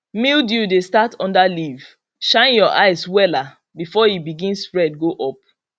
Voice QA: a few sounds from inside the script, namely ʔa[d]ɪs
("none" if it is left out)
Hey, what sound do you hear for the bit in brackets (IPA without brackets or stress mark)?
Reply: none